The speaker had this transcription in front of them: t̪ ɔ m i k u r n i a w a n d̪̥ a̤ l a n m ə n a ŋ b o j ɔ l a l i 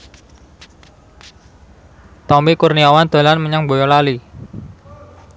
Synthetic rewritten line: t̪ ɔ m i k u r n i a w a n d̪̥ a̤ l a n m ə ɲ a ŋ b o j ɔ l a l i

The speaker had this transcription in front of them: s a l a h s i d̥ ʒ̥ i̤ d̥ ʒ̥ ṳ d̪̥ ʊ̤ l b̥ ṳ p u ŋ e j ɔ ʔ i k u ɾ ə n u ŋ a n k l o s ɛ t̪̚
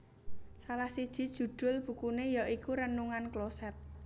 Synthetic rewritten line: s a l a h s i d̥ ʒ̥ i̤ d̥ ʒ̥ ṳ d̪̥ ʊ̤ l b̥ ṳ k u n e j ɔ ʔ i k u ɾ ə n u ŋ a n k l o s ɛ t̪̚

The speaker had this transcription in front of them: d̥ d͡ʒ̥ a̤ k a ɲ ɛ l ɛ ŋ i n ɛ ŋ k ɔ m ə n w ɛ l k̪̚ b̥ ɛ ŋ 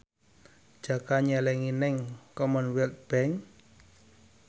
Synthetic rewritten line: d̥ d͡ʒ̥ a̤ k a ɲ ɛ l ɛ ŋ i n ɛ ŋ k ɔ m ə n w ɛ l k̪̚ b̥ ɛ ŋ

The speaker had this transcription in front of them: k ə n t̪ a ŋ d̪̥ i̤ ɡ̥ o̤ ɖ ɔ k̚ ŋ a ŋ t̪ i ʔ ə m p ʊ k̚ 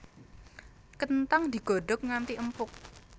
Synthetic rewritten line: k ə n t̪ a ŋ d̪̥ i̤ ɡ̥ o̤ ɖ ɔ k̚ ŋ a n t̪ i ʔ ə m p ʊ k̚

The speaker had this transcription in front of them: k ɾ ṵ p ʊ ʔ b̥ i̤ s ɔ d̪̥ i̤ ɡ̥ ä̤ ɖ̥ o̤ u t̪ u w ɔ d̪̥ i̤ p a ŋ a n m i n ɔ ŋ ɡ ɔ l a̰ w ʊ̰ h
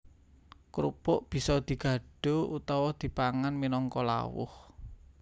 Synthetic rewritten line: k ɾ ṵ p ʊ ʔ b̥ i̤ s ɔ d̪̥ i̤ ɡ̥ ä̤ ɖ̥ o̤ u t̪ ɔ w ɔ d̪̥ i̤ p a ŋ a n m i n ɔ ŋ k ɔ l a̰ w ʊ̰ h

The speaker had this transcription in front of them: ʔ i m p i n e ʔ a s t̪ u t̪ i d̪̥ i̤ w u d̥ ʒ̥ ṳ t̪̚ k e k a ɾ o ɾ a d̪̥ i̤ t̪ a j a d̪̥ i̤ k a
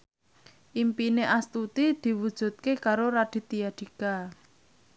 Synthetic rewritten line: ʔ i m p i n e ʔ a s t̪ u t̪ i d̪̥ i̤ w u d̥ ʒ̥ ṳ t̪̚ k e k a ɾ o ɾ a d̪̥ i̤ t̪ i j a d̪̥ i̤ k a

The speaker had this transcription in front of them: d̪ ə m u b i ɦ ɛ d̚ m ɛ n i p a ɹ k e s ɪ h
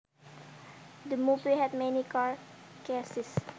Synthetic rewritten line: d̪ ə m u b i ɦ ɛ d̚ m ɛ n i k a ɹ k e s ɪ s

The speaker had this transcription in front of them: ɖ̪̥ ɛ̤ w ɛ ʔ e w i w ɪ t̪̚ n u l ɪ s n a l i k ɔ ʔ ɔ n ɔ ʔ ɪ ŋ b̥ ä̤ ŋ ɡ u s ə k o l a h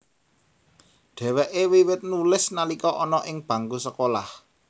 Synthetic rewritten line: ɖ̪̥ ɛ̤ w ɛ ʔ e w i w ɪ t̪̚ n u l ɪ s n a l i k ɔ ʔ ɔ n ɔ ʔ ɪ ŋ b̥ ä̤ ŋ ɡ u s ə k o l a h

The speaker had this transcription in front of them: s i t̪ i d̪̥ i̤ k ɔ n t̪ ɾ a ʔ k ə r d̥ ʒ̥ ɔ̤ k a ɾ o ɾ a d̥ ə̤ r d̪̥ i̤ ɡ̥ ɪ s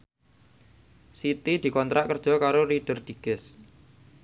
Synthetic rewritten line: s i t̪ i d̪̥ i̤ k ɔ n t̪ ɾ a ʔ k ə r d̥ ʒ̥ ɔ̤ k a ɾ o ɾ i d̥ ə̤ r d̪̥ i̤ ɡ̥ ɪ s

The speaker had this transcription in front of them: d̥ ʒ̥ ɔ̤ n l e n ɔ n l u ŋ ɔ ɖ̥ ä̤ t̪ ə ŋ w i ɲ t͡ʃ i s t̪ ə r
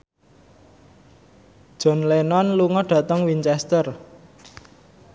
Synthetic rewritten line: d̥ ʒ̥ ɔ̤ n l e n ɔ n l u ŋ ɔ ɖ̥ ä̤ t̪ ə ŋ w i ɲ t͡ʃ ɛ s t̪ ə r

